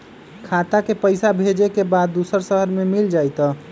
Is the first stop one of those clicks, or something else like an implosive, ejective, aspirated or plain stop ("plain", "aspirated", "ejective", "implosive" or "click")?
aspirated